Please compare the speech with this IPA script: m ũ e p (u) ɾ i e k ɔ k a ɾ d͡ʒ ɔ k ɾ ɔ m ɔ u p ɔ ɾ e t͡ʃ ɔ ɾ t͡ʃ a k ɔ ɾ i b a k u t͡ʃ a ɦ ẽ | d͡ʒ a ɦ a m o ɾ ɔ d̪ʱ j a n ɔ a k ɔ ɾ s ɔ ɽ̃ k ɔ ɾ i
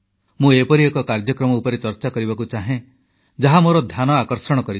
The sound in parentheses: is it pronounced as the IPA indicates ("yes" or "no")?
no